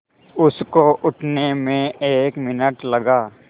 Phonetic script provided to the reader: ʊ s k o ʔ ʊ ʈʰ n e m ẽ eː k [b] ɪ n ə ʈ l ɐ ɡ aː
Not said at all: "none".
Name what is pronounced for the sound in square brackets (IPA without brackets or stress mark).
m